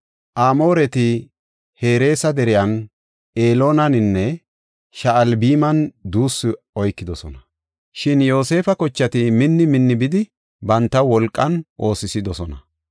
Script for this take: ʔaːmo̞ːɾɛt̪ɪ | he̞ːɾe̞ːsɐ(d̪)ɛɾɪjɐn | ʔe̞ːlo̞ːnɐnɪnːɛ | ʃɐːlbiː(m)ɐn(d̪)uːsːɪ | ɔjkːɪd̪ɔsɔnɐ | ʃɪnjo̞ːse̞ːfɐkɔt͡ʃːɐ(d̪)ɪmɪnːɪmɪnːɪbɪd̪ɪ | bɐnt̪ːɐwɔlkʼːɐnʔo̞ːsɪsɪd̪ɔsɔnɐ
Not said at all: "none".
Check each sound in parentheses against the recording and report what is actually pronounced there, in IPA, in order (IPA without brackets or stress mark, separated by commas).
d̪, m, d̪, t̪